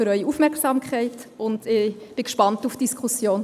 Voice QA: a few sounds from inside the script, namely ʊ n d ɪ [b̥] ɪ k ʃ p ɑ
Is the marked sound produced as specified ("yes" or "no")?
yes